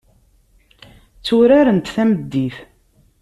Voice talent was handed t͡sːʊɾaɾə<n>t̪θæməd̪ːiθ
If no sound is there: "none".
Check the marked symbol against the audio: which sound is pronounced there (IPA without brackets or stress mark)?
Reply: n